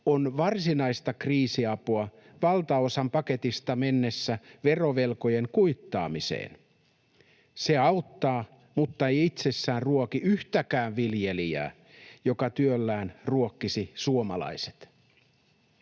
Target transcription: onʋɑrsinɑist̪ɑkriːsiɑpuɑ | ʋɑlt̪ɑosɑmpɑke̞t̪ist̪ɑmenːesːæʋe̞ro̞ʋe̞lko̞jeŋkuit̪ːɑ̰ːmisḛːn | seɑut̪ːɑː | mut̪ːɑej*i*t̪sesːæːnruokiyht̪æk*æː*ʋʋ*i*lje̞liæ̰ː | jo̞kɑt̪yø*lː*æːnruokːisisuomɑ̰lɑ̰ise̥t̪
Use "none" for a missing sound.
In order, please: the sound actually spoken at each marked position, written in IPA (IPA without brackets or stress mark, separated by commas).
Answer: i, æː, i, lː